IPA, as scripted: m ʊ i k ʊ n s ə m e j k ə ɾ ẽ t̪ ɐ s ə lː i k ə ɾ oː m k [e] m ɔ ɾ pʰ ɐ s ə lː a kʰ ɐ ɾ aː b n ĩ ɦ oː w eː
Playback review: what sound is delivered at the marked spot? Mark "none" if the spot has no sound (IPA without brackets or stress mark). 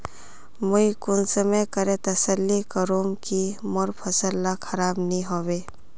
i